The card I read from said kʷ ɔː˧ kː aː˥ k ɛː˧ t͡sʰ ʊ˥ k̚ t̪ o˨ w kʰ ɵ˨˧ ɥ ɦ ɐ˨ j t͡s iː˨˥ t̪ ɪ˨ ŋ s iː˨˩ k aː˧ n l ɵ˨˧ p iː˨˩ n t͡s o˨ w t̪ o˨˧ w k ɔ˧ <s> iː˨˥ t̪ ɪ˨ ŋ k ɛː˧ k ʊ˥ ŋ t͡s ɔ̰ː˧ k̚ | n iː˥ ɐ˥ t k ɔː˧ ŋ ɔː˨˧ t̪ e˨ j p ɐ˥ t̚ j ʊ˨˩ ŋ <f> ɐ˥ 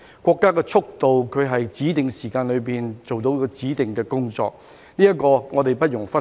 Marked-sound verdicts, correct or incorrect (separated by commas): incorrect, correct